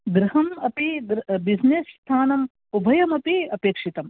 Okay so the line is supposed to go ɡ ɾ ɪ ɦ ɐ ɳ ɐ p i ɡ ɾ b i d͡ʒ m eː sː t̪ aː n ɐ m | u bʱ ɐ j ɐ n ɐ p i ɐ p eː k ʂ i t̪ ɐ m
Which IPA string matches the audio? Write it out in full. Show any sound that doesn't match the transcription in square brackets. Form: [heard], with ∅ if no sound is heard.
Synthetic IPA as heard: ɡ ɾ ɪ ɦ ɐ [m] ɐ p i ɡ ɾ b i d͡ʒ [n] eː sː [t̪ʰ] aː n ɐ m | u bʱ ɐ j ɐ [m] ɐ p i ɐ p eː k ʂ i t̪ ɐ m